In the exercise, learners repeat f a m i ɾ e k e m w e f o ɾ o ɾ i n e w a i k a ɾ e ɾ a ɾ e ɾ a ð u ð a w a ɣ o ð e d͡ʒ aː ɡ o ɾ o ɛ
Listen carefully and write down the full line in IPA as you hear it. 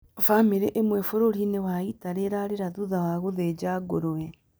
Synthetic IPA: f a m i ɾ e ʔ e m w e f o ɾ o ɾ i n e w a i t a ɾ e ɾ a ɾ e ɾ a ð u ð a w a ɣ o ð e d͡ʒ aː ɡ o ɾ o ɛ